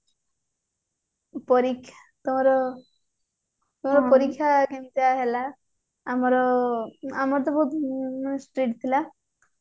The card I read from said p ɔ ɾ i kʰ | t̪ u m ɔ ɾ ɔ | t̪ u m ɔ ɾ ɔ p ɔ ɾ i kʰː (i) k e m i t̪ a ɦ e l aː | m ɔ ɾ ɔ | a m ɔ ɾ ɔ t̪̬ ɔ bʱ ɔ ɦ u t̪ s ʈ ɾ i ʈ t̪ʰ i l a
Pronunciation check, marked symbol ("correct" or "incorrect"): incorrect